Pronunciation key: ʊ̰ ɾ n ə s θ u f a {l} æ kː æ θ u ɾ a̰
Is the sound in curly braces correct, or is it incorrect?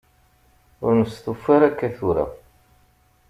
incorrect